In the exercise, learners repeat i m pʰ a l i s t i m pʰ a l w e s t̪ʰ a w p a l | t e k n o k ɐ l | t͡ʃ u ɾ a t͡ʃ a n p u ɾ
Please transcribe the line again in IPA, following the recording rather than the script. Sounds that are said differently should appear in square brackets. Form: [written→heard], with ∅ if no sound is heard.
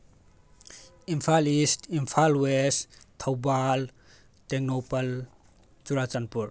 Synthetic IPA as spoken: i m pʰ a l i s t i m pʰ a l w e s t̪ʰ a w [p→b] a l | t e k n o [k→p] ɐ l | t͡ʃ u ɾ a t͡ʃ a n p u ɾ